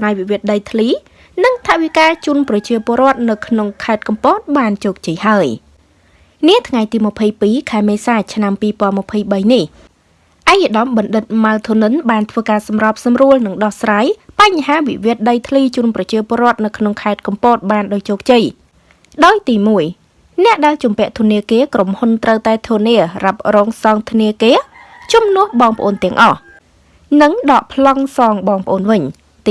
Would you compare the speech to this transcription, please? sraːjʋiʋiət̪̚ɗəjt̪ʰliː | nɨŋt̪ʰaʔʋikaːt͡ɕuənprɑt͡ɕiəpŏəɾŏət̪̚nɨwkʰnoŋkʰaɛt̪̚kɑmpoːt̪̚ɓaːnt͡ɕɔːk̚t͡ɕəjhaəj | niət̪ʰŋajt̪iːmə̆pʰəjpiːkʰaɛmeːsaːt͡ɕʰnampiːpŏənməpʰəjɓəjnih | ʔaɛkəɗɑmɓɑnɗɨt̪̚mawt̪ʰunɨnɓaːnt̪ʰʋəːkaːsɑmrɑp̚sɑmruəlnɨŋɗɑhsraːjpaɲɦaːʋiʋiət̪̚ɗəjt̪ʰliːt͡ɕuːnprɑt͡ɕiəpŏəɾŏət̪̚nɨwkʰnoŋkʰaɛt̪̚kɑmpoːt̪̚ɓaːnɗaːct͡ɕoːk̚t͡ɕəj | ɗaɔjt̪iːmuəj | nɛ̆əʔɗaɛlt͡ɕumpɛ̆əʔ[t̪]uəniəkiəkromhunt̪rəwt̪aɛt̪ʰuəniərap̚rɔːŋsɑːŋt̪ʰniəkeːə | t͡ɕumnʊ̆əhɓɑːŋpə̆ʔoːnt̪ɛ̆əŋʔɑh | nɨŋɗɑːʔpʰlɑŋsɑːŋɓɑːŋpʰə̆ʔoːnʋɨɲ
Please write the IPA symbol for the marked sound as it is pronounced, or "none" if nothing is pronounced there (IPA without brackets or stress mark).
t̪ʰ